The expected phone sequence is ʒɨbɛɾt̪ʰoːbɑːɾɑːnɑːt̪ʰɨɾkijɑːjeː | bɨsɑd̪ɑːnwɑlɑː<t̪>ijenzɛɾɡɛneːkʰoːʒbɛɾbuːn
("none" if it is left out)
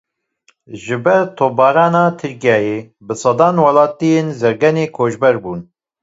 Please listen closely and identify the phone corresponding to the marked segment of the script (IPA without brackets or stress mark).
t̪